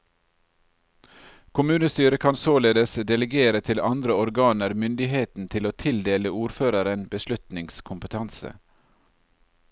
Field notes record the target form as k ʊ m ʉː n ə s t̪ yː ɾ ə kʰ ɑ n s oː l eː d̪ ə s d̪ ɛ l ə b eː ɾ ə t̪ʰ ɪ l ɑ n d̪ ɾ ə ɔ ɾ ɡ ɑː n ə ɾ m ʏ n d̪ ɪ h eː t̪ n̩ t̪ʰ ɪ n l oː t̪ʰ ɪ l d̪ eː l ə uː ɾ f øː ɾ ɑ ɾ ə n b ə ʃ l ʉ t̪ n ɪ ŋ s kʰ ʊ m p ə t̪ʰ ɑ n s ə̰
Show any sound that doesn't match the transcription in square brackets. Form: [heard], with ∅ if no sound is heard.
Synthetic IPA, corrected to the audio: k ʊ m ʉː n ə s t̪ yː ɾ ə kʰ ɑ n s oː l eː d̪ ə s d̪ ɛ l ə [ɡ] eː ɾ ə t̪ʰ ɪ l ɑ n d̪ ɾ ə ɔ ɾ ɡ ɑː n ə ɾ m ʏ n d̪ ɪ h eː t̪ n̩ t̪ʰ ɪ [∅] l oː t̪ʰ ɪ l d̪ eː l ə uː ɾ f øː ɾ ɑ ɾ ə n b ə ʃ l ʉ t̪ n ɪ ŋ s kʰ ʊ m p ə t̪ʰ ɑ n s ə̰